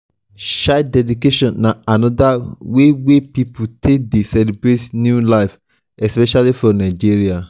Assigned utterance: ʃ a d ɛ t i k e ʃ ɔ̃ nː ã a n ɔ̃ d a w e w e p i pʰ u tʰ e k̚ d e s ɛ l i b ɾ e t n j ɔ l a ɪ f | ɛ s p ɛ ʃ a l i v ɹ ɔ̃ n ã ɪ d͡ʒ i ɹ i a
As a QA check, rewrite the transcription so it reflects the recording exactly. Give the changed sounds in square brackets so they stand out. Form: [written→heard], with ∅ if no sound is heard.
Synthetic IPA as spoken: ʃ a d ɛ [t→d] i k e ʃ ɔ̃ nː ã a n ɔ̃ d a w e w e p i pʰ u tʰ e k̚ d e s ɛ l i b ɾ e t n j [ɔ→u] l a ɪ f | ɛ s p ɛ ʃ a l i [v→f] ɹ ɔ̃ n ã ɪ d͡ʒ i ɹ i a

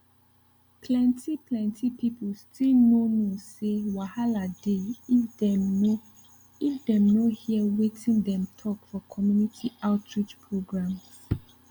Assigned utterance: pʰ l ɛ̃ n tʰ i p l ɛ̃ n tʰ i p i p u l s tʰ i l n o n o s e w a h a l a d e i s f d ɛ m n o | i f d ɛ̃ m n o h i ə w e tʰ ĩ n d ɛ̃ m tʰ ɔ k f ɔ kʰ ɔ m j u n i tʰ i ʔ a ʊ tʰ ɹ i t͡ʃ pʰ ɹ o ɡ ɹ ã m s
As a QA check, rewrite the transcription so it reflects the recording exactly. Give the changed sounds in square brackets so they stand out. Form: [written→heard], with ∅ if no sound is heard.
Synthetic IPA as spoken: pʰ l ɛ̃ n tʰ i p l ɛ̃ n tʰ i p i p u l s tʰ i l n o n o s e w a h a l a d e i [s→∅] f d ɛ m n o | i f d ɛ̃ m n o h i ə w e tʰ ĩ n d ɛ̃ m tʰ ɔ k f ɔ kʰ ɔ m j u n i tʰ i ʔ a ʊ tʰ ɹ i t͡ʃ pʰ ɹ o ɡ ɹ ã m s

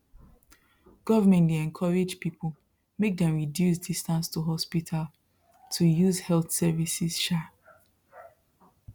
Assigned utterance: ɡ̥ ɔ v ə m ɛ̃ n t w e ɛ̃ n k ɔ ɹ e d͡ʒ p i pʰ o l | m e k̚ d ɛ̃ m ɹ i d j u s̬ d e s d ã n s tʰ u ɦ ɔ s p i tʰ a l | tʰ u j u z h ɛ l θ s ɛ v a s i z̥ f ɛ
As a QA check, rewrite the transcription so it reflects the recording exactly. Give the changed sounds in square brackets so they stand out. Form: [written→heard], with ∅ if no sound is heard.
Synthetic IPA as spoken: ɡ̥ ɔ v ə m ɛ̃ n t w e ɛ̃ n [k→kʰ] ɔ ɹ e d͡ʒ p i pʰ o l | m e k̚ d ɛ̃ m ɹ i d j u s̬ d [e→i] s [d→t] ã n s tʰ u ɦ ɔ s p i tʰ a l | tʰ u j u z h ɛ l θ s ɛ v [a→i] s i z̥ [f→ʃ] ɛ

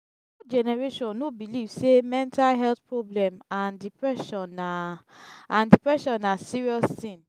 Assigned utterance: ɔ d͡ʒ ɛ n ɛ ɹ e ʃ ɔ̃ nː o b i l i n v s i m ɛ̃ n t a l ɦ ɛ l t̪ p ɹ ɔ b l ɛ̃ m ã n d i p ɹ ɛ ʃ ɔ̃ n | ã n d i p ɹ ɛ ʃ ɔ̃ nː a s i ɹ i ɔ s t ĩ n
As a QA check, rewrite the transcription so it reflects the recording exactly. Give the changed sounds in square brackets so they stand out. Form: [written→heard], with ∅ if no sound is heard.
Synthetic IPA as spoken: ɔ d͡ʒ ɛ n ɛ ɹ e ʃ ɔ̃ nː o b i l i [n→∅] v s [i→e] m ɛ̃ n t a l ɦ ɛ l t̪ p ɹ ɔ b l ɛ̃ m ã n d i p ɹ ɛ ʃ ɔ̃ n | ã n d i p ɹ ɛ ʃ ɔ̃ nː a s i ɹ i ɔ s t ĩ n

